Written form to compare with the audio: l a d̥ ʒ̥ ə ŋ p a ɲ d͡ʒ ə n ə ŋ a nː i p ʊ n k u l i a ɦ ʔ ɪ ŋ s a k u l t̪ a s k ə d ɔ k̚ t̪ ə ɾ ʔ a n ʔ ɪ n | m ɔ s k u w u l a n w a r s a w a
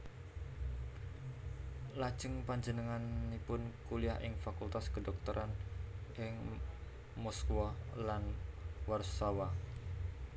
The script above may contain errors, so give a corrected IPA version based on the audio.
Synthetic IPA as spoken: l a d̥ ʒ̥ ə ŋ p a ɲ d͡ʒ ə n ə ŋ a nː i p ʊ n k u l i a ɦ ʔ ɪ ŋ f a k u l t̪ a s k ə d ɔ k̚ t̪ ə ɾ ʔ a n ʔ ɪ ŋ | m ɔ s k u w ɔ l a n w a r s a w a